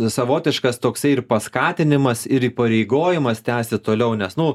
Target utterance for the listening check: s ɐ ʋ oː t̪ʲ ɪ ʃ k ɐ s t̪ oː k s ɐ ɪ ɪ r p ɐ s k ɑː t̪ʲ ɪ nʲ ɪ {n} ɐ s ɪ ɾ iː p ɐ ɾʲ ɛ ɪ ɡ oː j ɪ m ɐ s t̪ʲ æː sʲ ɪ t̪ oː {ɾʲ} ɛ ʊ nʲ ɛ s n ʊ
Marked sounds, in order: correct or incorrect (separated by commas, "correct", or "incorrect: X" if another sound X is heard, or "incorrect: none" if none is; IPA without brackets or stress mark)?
incorrect: m, incorrect: lʲ